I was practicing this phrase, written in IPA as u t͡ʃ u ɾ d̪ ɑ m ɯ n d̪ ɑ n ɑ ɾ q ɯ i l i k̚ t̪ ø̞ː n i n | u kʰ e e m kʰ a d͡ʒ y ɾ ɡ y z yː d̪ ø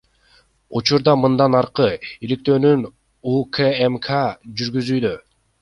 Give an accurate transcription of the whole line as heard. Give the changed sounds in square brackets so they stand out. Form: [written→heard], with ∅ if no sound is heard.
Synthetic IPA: u t͡ʃ u ɾ d̪ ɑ m ɯ n d̪ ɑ n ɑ ɾ q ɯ i l i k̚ t̪ ø̞ː n [i→y] n | u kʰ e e m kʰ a d͡ʒ y ɾ ɡ y z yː d̪ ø